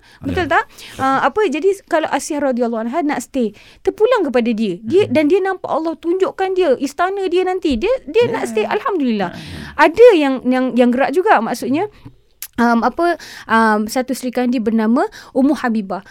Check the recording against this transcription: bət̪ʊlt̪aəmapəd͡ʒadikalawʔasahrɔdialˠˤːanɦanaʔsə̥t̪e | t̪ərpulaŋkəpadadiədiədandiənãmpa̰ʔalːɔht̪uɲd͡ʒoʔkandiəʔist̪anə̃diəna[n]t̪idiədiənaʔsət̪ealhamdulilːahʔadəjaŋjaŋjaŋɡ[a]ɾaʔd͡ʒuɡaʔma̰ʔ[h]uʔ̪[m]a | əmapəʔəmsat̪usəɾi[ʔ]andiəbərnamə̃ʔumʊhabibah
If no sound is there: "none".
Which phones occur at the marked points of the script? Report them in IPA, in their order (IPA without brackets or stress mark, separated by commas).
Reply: n, ə, s, ɲ, k